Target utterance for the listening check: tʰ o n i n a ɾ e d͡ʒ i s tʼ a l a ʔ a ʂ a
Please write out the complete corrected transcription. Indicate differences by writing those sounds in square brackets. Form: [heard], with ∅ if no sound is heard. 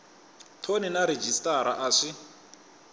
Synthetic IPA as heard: tʰ o n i n a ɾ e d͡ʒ i s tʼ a [ɾ] a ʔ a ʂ [i]

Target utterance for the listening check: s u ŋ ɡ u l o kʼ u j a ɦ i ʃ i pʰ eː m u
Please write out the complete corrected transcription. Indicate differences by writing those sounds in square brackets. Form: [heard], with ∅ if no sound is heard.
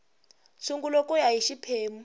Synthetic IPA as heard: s u ŋ ɡ u l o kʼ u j a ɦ i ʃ i pʰ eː m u

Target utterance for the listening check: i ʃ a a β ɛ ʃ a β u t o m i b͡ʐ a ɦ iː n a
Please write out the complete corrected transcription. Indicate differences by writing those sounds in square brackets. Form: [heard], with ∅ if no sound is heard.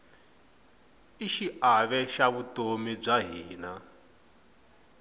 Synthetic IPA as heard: i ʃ [i] a β ɛ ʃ a β u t o m i b͡ʐ a ɦ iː n a

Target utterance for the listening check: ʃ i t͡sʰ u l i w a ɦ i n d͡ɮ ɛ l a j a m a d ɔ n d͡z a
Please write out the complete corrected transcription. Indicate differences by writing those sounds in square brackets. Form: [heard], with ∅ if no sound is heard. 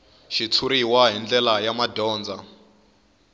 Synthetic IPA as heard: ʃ i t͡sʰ u [ɾ] i w a ɦ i n d͡ɮ ɛ l a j a m a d [ɔː] n d͡z a

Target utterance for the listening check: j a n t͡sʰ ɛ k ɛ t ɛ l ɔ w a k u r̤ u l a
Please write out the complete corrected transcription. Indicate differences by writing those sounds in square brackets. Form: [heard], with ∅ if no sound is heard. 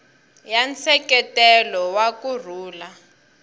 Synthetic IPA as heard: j a n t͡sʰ ɛ k ɛ t ɛ l ɔ w a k u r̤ [uː] l a

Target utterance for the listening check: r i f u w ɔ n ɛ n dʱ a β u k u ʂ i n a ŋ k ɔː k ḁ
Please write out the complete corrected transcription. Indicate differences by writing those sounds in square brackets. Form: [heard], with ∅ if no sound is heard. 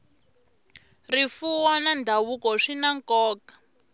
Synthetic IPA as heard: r i f u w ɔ n [a] n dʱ a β u k [ɔ] ʂ i n a ŋ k ɔː k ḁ

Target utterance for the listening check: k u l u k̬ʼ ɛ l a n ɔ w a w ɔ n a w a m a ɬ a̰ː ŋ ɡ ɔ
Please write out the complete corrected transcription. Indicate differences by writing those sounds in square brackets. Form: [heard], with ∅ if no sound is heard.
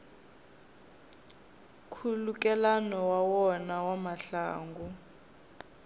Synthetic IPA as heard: [kʰ] u l u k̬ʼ ɛ l a n ɔ w a w ɔ n a w a m a ɬ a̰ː ŋ ɡ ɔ

